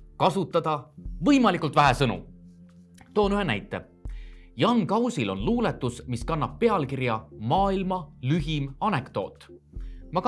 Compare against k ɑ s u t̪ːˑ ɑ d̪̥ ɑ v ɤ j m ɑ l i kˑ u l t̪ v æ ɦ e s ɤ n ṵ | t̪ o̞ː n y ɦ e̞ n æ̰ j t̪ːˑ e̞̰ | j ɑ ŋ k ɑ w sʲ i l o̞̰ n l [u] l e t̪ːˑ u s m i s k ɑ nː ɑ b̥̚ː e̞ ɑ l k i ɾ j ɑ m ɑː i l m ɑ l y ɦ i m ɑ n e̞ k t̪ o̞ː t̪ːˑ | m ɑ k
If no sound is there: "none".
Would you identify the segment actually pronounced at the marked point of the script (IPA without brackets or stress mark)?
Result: uː